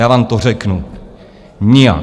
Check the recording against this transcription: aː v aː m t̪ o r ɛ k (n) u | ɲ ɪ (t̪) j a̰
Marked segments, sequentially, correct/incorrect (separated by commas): correct, incorrect